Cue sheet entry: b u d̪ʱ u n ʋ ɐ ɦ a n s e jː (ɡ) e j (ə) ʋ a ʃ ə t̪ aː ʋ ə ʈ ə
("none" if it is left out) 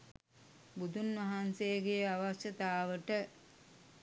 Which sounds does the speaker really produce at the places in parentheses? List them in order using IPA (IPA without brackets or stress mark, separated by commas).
ɡ, a